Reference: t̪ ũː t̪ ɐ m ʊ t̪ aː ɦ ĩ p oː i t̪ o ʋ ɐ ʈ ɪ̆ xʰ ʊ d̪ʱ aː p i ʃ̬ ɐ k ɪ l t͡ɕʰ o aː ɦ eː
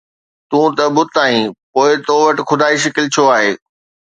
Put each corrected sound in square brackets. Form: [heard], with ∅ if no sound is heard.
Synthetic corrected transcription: t̪ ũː t̪ ɐ [b] ʊ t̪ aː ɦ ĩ p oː [ɪ] t̪ o ʋ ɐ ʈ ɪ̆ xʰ ʊ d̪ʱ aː [∅] i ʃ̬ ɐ k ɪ l t͡ɕʰ o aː ɦ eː